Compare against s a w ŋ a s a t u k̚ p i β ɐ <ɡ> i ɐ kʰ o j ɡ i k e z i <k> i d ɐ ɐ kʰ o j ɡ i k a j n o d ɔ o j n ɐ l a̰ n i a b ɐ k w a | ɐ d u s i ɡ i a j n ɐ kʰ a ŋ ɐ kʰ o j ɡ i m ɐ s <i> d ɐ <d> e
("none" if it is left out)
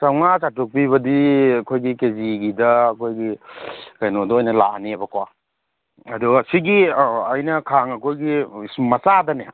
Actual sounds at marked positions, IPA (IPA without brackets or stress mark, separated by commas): d, ɡ, a, n